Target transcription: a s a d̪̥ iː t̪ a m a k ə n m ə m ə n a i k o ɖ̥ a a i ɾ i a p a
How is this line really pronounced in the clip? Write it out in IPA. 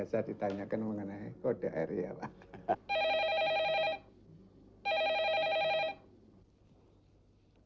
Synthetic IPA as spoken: a s a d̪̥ i t̪ a ɲ a k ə n m ə ŋ ə n a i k o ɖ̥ a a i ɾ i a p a